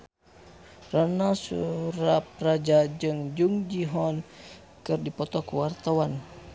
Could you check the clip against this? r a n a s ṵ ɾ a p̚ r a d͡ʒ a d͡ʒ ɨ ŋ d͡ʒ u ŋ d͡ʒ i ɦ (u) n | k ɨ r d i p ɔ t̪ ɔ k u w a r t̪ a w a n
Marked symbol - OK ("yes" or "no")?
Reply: no